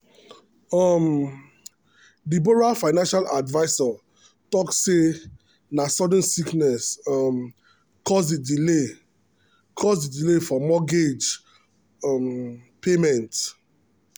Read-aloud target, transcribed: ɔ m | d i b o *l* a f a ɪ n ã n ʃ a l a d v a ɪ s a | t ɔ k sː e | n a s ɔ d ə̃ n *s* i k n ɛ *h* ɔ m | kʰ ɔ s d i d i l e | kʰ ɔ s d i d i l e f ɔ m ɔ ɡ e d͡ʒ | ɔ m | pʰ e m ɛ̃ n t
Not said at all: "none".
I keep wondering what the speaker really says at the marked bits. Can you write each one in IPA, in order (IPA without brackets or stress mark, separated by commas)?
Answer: ɹ, s, s